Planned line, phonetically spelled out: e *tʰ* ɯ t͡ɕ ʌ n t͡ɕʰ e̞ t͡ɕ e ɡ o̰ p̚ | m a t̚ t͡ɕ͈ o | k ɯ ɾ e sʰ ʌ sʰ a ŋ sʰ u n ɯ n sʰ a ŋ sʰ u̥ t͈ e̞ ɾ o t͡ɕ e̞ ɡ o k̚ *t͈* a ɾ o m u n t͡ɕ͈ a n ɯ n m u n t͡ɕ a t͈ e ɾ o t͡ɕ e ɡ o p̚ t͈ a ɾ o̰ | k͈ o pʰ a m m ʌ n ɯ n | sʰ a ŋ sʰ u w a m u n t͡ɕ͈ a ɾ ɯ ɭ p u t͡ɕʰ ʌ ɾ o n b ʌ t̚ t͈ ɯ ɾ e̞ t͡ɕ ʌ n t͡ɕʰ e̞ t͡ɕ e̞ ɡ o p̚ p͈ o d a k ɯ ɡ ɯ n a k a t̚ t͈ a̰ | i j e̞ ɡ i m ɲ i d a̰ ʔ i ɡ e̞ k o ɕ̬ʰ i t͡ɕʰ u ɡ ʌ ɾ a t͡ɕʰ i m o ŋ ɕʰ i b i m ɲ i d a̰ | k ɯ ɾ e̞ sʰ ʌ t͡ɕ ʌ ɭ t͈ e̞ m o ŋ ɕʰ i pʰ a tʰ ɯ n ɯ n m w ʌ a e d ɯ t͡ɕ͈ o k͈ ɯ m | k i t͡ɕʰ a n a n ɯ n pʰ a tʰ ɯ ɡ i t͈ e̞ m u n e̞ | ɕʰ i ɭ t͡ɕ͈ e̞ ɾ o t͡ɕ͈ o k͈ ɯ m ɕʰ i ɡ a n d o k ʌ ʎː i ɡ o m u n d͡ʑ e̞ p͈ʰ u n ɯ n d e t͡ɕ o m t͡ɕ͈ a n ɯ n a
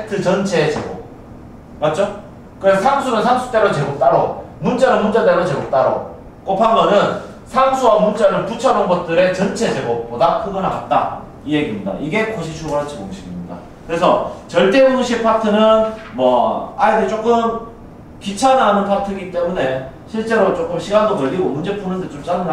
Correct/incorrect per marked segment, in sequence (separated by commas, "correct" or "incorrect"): correct, correct